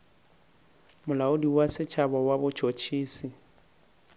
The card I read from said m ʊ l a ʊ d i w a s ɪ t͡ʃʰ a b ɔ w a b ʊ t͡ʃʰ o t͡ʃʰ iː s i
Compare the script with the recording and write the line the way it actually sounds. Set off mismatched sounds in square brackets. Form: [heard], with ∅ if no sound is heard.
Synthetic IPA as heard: m ʊ l a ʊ d i w a s ɪ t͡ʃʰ a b ɔ w a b ʊ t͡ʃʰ o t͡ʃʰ iː s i